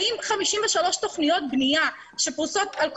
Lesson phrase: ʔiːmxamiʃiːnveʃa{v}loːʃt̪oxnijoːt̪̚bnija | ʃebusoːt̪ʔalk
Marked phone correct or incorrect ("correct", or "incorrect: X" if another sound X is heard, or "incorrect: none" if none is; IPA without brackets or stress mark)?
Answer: incorrect: none